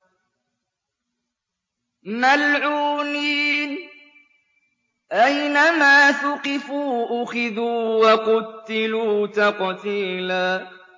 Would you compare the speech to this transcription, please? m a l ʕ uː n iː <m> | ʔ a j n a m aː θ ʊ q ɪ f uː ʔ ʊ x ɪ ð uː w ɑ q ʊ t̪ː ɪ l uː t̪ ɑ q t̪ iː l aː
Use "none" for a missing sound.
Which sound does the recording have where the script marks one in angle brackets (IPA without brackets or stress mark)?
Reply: n